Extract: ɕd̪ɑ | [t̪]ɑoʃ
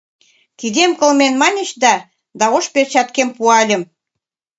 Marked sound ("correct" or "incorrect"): incorrect